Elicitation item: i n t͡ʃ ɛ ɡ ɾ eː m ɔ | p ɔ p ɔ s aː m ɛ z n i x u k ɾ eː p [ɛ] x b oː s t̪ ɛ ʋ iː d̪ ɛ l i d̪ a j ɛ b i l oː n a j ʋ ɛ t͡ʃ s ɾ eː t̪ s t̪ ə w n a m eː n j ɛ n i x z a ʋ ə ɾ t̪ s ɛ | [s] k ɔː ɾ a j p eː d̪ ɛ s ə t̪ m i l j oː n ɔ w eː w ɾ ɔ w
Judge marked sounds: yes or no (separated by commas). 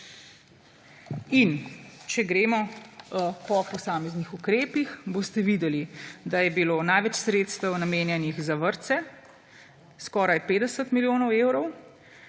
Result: no, yes